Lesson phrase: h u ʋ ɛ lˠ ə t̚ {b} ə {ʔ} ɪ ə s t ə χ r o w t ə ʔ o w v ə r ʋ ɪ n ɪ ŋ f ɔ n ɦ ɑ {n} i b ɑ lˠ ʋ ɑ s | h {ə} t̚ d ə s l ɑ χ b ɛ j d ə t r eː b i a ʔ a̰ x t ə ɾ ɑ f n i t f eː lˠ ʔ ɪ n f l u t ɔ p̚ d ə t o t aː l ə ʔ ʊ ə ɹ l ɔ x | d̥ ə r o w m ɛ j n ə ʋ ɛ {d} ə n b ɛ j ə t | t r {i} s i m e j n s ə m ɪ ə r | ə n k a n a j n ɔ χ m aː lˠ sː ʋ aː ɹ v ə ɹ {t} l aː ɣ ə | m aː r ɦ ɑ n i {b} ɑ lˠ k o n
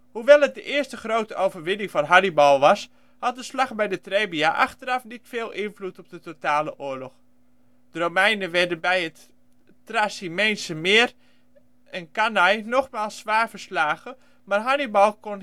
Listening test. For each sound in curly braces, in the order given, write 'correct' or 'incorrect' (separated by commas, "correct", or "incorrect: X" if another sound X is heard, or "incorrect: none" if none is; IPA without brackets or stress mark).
incorrect: d, correct, correct, incorrect: ɑ, correct, incorrect: a, incorrect: s, correct